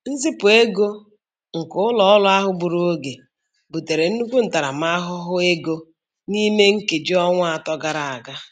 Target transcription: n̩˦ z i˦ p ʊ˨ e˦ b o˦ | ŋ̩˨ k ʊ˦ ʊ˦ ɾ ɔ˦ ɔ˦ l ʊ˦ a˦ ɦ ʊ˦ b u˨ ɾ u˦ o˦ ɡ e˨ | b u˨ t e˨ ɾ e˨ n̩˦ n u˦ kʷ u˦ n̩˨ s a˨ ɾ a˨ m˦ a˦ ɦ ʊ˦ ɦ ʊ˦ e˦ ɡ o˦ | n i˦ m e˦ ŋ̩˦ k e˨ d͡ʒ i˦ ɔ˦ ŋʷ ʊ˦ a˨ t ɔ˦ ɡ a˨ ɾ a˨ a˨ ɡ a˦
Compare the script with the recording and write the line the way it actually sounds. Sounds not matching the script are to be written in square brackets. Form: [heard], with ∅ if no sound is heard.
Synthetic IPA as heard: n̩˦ z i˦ p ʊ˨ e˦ [ɡ] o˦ | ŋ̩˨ k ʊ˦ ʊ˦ [l] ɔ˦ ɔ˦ l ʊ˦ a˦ ɦ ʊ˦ b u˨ ɾ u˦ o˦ ɡ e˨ | b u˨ t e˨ ɾ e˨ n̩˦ n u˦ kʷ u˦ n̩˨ [t] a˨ ɾ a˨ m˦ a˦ ɦ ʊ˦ ɦ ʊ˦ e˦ ɡ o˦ | n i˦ m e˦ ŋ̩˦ k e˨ d͡ʒ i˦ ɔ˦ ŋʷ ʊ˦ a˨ t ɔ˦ ɡ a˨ ɾ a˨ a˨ ɡ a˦